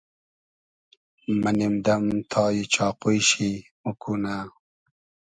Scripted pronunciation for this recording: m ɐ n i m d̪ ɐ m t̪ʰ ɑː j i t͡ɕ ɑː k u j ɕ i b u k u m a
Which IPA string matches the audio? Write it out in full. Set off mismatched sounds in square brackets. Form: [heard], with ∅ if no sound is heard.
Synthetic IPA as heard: m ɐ n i m d̪ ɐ m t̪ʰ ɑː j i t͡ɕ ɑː [q] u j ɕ i [m] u k u [n] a